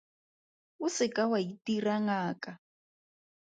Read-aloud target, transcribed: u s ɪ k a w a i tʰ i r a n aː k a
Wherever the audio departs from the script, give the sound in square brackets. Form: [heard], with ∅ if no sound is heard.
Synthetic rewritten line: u s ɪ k a w a i [t] i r a [ŋ] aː k a